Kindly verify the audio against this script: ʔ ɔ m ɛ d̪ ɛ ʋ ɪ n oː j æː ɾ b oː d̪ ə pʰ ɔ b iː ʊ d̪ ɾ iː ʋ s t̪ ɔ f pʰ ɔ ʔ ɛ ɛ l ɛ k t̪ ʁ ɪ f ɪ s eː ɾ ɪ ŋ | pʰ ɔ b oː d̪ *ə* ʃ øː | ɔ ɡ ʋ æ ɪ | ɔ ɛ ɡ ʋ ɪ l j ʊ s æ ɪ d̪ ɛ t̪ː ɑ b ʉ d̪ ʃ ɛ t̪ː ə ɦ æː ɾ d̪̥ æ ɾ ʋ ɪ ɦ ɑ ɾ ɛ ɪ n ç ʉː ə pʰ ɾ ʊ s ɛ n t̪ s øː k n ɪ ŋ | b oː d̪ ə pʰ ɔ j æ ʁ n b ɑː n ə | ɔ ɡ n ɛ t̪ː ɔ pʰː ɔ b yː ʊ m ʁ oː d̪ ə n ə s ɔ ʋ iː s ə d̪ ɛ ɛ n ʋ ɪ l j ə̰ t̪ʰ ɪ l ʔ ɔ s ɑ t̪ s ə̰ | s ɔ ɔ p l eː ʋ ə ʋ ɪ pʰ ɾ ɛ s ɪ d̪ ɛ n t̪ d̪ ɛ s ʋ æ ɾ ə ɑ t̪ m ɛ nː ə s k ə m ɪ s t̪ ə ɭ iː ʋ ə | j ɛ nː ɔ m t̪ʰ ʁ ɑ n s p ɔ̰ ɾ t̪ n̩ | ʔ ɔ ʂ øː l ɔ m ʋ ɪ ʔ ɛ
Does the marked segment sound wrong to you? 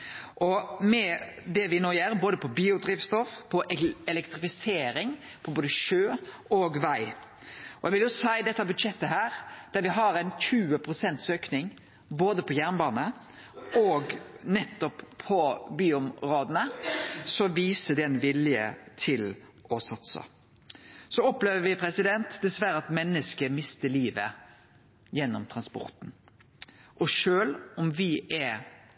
no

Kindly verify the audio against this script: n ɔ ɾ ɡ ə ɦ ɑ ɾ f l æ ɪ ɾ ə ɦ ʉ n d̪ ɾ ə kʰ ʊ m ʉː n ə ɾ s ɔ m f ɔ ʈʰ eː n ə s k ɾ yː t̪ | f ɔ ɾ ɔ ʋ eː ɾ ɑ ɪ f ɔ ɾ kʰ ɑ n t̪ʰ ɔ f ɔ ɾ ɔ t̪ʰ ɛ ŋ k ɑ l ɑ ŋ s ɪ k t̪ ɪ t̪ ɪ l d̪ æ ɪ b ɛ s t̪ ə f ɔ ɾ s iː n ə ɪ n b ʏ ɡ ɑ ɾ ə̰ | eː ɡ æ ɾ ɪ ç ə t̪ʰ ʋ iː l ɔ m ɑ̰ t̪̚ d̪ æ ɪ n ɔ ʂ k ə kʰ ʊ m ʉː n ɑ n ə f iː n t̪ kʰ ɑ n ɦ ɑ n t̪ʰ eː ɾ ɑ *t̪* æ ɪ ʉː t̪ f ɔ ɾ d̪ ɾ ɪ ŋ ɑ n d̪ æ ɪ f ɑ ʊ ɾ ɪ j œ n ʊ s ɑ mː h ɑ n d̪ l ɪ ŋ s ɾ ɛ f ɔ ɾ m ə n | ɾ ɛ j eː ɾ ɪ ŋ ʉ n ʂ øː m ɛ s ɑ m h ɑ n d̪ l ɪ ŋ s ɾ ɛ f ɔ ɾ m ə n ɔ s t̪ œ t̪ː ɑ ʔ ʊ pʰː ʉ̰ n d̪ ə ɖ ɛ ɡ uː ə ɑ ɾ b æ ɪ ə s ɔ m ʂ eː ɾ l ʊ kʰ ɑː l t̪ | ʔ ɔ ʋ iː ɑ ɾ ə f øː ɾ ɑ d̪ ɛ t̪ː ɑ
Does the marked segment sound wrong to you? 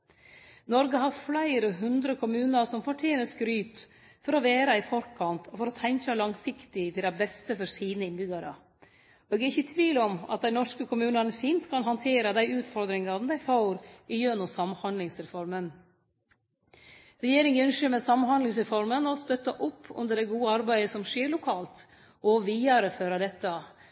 yes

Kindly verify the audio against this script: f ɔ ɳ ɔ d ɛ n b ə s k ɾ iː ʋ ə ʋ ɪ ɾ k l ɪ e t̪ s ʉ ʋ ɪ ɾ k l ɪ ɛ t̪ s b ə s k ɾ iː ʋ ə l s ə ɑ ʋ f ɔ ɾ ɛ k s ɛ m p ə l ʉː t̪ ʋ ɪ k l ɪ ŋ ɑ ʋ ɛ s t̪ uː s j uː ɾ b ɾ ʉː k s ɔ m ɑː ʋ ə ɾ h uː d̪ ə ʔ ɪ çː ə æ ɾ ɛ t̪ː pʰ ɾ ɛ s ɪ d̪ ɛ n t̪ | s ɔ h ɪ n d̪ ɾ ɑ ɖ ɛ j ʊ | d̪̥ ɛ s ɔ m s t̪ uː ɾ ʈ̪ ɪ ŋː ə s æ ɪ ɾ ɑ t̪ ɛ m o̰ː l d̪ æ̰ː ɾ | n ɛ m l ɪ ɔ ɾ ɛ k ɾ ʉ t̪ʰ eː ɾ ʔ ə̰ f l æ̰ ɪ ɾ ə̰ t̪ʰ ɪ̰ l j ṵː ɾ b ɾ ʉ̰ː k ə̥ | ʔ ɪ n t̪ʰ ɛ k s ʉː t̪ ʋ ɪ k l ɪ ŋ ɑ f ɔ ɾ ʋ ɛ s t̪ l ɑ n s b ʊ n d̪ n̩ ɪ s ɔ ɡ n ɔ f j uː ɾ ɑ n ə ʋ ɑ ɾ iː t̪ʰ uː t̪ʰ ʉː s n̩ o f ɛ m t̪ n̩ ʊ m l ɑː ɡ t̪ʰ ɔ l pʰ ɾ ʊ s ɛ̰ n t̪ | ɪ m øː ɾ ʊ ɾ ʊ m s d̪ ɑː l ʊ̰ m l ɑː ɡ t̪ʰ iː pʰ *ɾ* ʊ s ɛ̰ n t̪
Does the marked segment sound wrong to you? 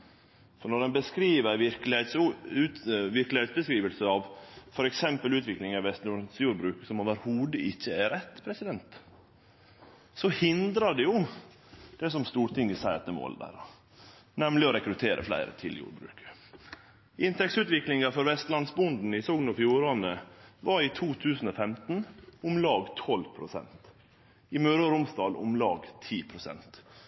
no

